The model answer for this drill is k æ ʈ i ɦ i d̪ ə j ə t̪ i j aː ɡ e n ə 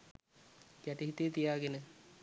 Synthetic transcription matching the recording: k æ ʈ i ɦ i t̪ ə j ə t̪ i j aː ɡ e n ə

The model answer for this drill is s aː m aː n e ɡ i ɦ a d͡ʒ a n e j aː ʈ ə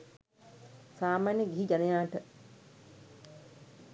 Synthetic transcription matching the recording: s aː m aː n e ɡ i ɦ i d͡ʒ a n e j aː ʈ ə

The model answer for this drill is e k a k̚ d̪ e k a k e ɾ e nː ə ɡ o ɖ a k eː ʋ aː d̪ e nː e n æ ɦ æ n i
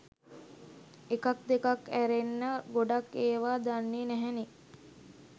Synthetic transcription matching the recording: e k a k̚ d̪ e k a k æ ɾ e nː ə ɡ o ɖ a k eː ʋ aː d̪ a nː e n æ ɦ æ n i

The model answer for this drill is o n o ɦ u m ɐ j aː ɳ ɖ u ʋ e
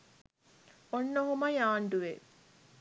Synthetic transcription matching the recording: o nː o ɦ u m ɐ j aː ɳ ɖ u ʋ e

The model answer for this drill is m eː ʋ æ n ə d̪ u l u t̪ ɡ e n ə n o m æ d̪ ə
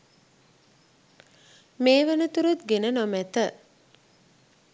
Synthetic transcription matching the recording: m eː ʋ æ n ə t̪ u ɾ u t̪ ɡ e n ə n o m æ t̪ ə

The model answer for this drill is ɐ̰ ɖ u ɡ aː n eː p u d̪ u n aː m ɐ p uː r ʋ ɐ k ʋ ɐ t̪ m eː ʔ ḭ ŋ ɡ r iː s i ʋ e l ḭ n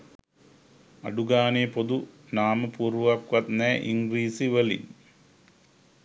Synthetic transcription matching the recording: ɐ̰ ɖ u ɡ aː n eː p o d̪ u n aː m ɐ p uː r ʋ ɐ k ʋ ɐ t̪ n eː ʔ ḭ ŋ ɡ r iː s i ʋ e l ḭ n

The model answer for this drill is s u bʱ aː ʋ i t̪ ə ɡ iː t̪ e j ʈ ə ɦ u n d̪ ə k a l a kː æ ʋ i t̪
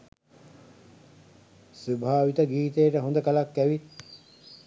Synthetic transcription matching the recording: s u bʱ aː ʋ i t̪ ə ɡ iː t̪ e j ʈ ə ɦ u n d̪ ə k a l a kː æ ʋ i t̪

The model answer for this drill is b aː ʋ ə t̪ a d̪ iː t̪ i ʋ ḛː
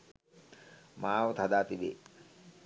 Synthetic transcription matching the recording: m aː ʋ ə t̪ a d̪ aː t̪ i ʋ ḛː

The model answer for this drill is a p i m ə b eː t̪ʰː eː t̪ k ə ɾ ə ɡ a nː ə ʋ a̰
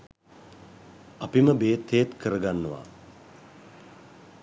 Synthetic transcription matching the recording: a p i m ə b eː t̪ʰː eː t̪ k ə ɾ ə ɡ a nː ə ʋ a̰

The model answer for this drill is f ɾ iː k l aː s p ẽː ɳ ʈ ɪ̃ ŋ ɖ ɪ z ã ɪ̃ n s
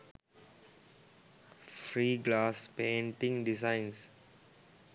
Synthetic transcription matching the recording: f ɾ iː ɡ l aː s p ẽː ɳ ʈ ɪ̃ ŋ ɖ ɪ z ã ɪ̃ n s

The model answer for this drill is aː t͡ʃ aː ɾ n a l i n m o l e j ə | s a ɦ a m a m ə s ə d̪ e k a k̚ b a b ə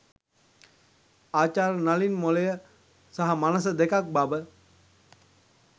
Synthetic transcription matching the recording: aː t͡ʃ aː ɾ n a l i n m o l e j ə | s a ɦ a m a n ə s ə d̪ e k a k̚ b a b ə

